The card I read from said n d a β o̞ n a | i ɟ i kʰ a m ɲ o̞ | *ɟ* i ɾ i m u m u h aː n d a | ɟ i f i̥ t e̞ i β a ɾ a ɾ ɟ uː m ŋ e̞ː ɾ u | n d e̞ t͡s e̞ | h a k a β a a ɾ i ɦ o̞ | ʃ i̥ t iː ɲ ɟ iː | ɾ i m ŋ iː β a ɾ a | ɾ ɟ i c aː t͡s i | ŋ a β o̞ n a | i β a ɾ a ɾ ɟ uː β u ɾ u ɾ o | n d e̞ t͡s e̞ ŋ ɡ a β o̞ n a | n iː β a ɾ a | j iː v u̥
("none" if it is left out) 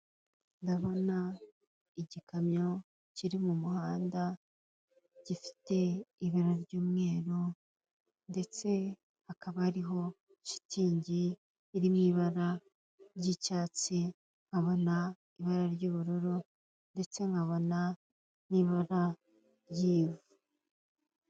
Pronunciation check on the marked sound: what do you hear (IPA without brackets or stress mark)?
c